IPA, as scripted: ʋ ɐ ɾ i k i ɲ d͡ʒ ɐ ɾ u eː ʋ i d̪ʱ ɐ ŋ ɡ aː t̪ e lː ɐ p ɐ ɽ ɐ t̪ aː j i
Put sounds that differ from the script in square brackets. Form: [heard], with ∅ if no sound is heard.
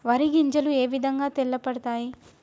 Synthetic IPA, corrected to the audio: ʋ ɐ ɾ i [ɡ] i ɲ d͡ʒ ɐ [l] u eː ʋ i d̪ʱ ɐ ŋ ɡ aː t̪ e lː ɐ p ɐ ɽ ɐ t̪ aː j i